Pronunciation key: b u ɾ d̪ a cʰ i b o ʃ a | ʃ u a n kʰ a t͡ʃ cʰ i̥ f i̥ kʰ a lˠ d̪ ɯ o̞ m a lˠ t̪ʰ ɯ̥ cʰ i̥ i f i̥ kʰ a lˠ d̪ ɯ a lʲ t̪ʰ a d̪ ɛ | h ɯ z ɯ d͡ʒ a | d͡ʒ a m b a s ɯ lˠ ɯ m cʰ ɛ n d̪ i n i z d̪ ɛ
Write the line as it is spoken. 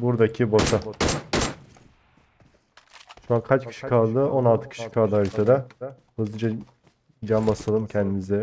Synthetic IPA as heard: b u ɾ d̪ a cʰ i b o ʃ a | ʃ u a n kʰ a t͡ʃ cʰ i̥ ʃ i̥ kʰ a lˠ d̪ ɯ o̞ n a lˠ t̪ʰ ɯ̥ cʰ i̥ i ʃ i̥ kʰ a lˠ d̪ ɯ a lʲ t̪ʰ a d̪ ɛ | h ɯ z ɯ d͡ʒ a | d͡ʒ a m b a s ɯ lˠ ɯ m cʰ ɛ n d̪ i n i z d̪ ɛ